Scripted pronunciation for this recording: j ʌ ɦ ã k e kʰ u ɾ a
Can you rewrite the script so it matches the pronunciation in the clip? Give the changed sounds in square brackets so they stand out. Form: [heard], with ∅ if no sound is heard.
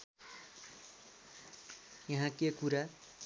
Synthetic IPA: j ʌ ɦ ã k e [k] u ɾ a